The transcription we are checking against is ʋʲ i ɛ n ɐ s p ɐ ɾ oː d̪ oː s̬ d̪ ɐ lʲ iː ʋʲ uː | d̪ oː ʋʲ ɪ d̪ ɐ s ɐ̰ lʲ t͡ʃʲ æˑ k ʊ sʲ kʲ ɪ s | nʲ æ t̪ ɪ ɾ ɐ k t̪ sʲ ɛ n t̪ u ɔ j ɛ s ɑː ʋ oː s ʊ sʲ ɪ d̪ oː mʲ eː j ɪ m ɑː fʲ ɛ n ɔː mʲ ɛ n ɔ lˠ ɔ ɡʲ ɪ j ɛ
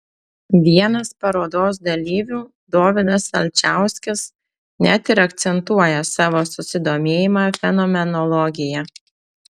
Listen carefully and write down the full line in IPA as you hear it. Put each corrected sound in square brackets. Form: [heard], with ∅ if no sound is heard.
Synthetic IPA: ʋʲ i ɛ n ɐ s p ɐ ɾ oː d̪ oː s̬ d̪ ɐ lʲ iː ʋʲ uː | d̪ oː ʋʲ ɪ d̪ ɐ s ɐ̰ lʲ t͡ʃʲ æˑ [∅] ʊ sʲ kʲ ɪ s | nʲ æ t̪ ɪ ɾ ɐ k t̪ sʲ ɛ n t̪ u ɔ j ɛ s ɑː ʋ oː s ʊ sʲ ɪ d̪ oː mʲ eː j ɪ m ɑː fʲ ɛ n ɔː mʲ ɛ n ɔ lˠ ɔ ɡʲ ɪ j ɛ